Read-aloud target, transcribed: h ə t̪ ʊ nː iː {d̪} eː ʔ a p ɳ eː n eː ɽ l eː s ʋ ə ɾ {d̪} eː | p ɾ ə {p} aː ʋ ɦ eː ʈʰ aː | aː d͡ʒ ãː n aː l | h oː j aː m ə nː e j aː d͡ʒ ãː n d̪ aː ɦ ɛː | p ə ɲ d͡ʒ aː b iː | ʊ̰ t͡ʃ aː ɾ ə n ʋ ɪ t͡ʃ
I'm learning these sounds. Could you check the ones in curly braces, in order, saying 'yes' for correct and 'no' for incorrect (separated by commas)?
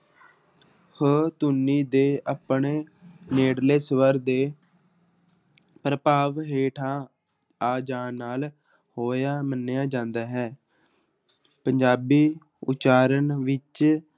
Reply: yes, yes, yes